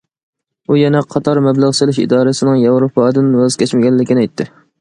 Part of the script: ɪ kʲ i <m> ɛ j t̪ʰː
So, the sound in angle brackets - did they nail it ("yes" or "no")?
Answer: no